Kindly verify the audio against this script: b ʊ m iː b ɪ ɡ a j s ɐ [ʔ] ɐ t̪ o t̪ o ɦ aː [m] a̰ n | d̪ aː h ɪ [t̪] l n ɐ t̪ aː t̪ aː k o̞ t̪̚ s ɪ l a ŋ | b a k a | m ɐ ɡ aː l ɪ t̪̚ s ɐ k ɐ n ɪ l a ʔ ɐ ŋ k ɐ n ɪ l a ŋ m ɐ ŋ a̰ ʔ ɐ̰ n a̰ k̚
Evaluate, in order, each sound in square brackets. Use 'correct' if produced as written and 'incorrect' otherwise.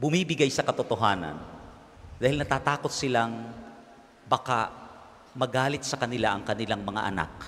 incorrect: k, incorrect: n, incorrect: none

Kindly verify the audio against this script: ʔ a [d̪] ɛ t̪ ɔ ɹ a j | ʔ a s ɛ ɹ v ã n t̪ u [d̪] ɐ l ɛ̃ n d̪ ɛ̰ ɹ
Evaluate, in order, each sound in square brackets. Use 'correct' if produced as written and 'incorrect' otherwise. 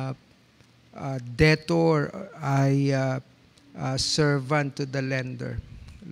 correct, correct

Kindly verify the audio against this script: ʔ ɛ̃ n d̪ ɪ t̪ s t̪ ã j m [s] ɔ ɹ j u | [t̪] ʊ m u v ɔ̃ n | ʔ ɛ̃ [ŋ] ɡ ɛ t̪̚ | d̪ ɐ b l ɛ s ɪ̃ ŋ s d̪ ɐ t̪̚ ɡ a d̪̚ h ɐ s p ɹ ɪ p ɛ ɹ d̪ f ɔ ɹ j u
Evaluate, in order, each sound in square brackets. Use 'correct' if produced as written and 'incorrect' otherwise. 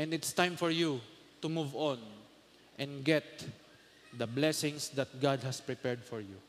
incorrect: f, correct, incorrect: n

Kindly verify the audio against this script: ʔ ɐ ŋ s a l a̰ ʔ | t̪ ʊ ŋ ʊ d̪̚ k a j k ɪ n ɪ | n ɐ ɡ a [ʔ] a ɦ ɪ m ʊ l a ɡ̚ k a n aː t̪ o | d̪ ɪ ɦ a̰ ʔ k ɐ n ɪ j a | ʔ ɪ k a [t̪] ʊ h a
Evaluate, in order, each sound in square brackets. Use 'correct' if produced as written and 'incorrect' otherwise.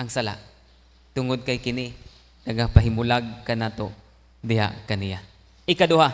incorrect: p, incorrect: d̪

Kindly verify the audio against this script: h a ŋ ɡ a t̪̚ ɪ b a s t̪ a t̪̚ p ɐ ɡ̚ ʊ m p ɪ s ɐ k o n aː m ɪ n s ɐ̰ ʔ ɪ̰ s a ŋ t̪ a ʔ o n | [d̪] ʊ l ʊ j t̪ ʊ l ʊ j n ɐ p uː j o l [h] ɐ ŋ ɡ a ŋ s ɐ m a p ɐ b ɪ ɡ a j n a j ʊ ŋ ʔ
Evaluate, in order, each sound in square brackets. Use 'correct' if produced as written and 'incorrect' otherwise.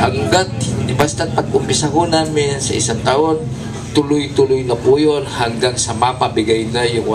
incorrect: t̪, correct

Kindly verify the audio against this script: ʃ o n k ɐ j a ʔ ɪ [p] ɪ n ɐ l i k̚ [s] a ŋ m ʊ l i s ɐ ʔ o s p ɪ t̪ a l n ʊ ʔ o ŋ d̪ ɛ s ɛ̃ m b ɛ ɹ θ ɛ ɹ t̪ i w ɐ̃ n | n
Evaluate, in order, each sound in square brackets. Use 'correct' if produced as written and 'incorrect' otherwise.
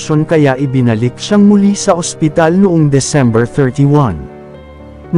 incorrect: b, incorrect: ʃ

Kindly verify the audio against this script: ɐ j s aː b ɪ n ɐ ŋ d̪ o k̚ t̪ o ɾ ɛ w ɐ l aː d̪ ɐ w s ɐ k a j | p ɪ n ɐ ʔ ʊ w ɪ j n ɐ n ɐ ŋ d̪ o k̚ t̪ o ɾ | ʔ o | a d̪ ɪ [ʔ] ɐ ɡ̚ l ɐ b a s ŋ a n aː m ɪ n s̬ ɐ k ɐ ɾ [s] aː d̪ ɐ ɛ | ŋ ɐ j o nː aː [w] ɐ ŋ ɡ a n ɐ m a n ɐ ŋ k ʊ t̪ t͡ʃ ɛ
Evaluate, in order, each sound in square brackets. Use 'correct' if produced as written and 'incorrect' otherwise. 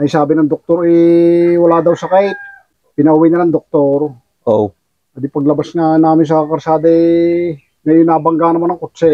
incorrect: p, correct, incorrect: b

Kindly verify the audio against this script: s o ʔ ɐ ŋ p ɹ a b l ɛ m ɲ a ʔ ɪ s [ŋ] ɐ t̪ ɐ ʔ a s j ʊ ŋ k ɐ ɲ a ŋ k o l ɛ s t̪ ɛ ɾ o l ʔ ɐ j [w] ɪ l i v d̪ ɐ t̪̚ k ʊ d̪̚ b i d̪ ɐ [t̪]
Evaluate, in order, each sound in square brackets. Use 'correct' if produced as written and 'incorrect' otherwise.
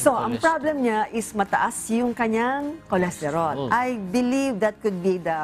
incorrect: m, incorrect: b, incorrect: none

